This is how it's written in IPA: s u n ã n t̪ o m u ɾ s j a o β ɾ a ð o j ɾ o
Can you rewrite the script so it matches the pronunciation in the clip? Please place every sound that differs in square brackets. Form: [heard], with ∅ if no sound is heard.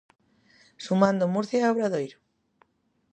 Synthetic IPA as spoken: s u [m] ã n [d̪] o m u ɾ [θ] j a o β ɾ a ð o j ɾ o